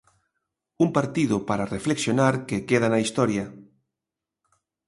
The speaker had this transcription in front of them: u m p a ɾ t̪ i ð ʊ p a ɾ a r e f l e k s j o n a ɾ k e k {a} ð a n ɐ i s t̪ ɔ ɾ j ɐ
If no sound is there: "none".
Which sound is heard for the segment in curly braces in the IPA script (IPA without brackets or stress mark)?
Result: e